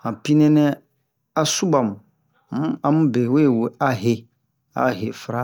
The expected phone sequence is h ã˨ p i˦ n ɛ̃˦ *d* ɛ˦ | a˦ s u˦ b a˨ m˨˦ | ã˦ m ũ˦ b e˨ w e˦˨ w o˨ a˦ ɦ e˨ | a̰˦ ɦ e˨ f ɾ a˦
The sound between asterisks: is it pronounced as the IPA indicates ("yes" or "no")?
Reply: no